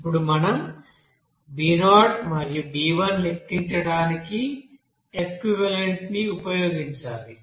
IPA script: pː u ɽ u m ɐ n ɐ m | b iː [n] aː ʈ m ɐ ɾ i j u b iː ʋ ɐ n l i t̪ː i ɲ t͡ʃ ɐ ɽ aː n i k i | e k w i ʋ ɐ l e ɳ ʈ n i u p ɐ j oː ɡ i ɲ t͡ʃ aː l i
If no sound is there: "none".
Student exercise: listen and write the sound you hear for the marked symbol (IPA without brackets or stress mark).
n